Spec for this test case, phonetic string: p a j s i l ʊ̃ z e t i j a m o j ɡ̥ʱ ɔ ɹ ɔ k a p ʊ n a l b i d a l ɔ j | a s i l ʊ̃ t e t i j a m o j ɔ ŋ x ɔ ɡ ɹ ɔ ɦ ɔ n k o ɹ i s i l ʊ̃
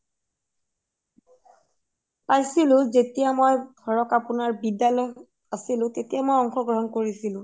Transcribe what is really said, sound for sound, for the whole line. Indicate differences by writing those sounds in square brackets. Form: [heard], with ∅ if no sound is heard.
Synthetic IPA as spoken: p a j s i l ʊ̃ z e t i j a m o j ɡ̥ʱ ɔ ɹ ɔ k a p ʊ n a [ɹ] b i d a l ɔ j | a s i l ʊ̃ t e t i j a m o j ɔ ŋ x ɔ ɡ ɹ ɔ ɦ ɔ n k o ɹ i s i l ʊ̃